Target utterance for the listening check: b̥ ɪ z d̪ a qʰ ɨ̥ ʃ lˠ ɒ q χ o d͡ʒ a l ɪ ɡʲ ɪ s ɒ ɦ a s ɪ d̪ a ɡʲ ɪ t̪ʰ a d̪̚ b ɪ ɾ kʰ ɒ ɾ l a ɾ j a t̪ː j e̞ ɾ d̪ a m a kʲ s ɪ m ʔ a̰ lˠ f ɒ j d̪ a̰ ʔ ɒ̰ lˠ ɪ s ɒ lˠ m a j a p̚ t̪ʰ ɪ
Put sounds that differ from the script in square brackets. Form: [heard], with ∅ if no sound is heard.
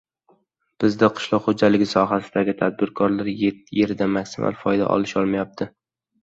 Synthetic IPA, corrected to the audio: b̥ ɪ z d̪ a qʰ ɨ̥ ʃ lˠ ɒ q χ o d͡ʒ a l ɪ ɡʲ ɪ s ɒ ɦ a s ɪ d̪ a ɡʲ ɪ t̪ʰ a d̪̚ b ɪ ɾ kʰ ɒ ɾ l a ɾ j [e] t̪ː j e̞ ɾ d̪ a m a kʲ s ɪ m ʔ a̰ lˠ f ɒ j d̪ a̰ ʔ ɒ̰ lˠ ɪ [ʃ] ɒ lˠ m a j a p̚ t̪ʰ ɪ